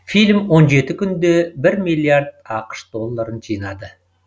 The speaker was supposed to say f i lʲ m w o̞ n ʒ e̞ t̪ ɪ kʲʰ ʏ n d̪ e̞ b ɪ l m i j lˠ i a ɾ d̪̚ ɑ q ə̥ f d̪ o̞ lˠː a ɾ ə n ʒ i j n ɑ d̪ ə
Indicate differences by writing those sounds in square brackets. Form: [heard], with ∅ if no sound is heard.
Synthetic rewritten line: f i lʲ m w o̞ n ʒ e̞ t̪ ɪ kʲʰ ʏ n d̪ e̞ b ɪ [ɾ] m i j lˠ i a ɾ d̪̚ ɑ q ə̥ [ʃ] d̪ o̞ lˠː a ɾ ə n ʒ i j n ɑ d̪ ə